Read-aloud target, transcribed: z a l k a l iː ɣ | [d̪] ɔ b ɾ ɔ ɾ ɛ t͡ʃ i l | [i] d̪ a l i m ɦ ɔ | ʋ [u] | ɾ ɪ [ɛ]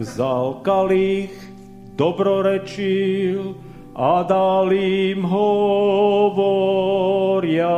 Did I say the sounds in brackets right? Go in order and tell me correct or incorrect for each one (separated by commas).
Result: correct, incorrect, incorrect, incorrect